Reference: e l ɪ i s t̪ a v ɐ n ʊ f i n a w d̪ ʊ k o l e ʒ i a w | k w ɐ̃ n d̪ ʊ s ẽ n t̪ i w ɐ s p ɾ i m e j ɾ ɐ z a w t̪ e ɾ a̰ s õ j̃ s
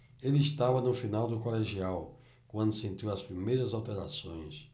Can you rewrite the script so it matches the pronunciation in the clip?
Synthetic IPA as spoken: e l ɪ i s t̪ a v ɐ n ʊ f i n a w d̪ ʊ k o l e ʒ i a w | k w ɐ̃ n d̪ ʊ s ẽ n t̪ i w ɐ s p ɾ i m e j ɾ ɐ z a w t̪ e ɾ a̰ s õ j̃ s